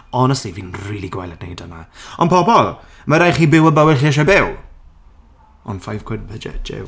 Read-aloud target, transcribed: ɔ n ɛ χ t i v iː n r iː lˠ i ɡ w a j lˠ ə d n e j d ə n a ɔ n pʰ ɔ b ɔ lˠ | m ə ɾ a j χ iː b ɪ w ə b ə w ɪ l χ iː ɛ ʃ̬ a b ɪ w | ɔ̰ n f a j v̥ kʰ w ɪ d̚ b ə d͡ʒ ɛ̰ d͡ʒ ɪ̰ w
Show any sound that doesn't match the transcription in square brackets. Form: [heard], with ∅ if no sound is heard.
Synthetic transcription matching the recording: ɔ n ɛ [s] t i v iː n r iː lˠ i ɡ w a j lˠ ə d n e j d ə n a ɔ n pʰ ɔ b ɔ lˠ | m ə ɾ a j χ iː b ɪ w ə b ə w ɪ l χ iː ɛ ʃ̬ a b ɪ w | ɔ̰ n f a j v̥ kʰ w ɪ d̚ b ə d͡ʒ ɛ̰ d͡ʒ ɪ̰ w